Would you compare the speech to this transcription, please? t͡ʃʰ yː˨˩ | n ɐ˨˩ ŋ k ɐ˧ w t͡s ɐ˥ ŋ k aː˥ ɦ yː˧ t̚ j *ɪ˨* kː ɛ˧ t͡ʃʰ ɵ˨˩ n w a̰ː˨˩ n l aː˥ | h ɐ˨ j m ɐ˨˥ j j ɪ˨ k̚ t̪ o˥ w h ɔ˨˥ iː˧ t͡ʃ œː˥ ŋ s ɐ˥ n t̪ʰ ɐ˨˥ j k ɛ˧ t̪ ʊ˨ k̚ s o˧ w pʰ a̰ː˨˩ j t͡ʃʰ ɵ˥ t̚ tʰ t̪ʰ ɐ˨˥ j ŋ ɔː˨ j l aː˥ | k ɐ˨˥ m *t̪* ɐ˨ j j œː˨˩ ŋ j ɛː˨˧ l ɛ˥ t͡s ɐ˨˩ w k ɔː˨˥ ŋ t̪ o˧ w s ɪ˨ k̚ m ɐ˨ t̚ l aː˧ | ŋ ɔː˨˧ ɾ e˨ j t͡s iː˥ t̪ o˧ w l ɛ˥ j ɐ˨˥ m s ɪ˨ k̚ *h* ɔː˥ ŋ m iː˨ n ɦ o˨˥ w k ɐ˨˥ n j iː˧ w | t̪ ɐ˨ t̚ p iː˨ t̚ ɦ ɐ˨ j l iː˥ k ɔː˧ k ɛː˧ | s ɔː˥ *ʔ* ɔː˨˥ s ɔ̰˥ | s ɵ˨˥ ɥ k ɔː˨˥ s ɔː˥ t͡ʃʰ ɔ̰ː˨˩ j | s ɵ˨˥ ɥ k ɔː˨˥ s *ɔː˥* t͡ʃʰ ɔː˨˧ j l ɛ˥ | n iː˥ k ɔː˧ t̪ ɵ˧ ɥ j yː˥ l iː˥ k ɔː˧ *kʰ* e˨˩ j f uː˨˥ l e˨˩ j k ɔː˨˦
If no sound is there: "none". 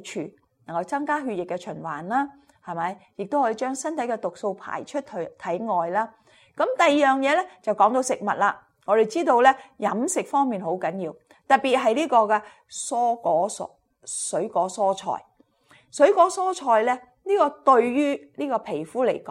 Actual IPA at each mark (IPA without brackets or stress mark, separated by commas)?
ɪ˨, t̪, f, k, ɔː˥, pʰ